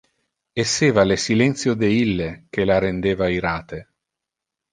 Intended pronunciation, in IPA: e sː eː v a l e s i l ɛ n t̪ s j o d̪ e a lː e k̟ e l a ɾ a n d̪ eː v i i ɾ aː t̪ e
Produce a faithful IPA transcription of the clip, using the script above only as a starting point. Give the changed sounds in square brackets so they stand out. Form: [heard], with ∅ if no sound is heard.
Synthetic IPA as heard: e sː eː v a l e s i l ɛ n t̪ s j o d̪ e [i] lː e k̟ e l a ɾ [e] n d̪ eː v [a] i ɾ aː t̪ e

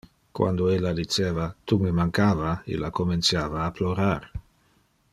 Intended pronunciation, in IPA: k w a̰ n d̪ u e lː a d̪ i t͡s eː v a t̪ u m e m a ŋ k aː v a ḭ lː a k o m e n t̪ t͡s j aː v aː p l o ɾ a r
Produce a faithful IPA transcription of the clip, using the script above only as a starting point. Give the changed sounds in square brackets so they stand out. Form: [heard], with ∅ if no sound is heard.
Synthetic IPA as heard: k w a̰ n d̪ [o] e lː a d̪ i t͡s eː v a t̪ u m e m a ŋ k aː v a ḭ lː a k o m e n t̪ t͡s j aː v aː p l o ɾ a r

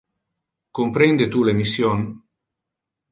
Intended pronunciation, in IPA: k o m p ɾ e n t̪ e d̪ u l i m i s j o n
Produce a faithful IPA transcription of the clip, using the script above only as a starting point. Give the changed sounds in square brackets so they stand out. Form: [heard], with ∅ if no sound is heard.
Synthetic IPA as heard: k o m p ɾ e n [d̪] e [t̪] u l [e] m i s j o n

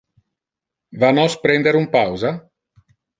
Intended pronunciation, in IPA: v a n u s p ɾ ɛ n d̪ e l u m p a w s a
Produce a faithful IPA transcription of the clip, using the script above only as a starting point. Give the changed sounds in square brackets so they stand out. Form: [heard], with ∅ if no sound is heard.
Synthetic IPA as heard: v a n [ɔ] s p ɾ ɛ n d̪ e [ɾ] u m p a w [z] a

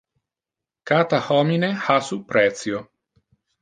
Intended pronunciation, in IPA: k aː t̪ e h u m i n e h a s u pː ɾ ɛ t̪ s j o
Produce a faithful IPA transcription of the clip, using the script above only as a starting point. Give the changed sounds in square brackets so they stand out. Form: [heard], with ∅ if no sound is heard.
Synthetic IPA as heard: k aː t̪ [a] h [ɔ] m i n e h a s u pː ɾ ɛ t̪ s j o

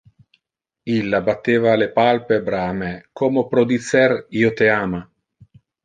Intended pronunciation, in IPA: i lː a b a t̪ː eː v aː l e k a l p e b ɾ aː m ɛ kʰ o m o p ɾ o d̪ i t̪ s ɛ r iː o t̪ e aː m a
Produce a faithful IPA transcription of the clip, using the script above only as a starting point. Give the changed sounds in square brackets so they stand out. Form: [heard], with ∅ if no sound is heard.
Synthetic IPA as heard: i lː a b a t̪ː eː v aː l e [p] a l p e b ɾ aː m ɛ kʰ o m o p ɾ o d̪ i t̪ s ɛ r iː o t̪ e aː m a

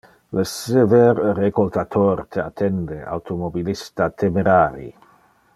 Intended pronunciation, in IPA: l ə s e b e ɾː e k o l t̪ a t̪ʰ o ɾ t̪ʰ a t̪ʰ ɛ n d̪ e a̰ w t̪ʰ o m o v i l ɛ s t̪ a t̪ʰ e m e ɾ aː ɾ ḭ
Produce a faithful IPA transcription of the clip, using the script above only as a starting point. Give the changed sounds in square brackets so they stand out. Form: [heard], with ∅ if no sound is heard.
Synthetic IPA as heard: l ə s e [v] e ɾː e k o l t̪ a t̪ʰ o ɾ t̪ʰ a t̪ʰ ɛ n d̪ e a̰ w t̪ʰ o m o [b] i l [i] s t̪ a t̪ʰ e m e ɾ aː ɾ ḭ

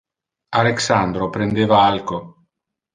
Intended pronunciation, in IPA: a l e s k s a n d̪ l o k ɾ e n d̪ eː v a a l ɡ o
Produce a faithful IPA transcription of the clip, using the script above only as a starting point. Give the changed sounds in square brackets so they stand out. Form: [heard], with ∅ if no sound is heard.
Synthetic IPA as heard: a l e [∅] k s a n d̪ [ɾ] o [p] ɾ e n d̪ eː v a a l [k] o

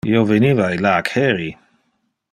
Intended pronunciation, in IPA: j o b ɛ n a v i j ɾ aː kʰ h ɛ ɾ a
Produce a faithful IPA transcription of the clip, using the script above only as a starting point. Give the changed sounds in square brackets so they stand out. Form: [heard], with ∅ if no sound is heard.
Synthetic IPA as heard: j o [v] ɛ n [i] v [a] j [l] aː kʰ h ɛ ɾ [i]

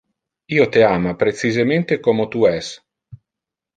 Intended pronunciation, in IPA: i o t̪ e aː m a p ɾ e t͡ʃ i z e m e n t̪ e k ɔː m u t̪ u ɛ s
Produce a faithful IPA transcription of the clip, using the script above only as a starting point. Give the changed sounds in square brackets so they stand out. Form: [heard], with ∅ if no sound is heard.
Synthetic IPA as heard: [iː] o t̪ e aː m a p ɾ e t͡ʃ i z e m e n t̪ e k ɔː m [o] t̪ u ɛ s

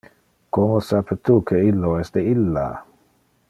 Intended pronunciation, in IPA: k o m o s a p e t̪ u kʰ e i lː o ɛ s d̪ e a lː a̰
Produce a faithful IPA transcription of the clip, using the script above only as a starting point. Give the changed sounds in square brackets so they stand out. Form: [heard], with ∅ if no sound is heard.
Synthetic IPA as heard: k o m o s a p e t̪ u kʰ e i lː o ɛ s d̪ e [i] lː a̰

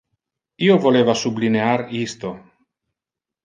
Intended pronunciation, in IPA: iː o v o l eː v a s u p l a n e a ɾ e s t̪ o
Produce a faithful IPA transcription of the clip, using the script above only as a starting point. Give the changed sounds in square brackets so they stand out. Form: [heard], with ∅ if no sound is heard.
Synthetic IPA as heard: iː o v o l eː v a s u [b] l [i] n e a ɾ [i] s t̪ o

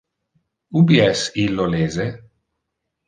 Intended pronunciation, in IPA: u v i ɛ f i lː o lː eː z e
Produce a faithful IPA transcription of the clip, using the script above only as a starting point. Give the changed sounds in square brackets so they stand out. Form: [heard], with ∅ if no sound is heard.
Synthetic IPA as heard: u [b] i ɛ [s] i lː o [l] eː z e

